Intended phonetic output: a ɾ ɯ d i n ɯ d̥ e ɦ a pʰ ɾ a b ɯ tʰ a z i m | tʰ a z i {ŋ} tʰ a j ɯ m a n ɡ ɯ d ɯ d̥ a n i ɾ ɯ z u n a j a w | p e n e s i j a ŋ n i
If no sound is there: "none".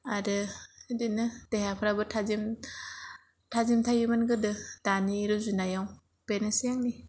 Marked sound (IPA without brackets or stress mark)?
m